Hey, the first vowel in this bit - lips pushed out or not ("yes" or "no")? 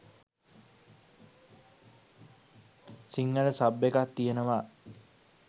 no